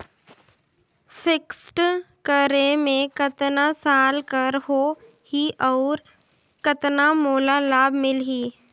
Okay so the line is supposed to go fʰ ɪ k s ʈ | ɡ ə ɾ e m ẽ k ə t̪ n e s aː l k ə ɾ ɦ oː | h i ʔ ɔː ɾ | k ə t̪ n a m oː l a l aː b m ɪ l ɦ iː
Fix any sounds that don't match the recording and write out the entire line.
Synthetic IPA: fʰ ɪ k s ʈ | k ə ɾ e m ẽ k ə t̪ n a s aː l k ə ɾ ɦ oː | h i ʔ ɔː ɾ | k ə t̪ n a m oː l a l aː b m ɪ l ɦ iː